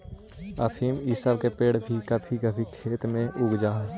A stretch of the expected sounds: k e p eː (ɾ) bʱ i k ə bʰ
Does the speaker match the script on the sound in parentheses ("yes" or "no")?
no